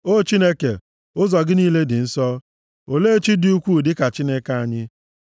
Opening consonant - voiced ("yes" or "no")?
no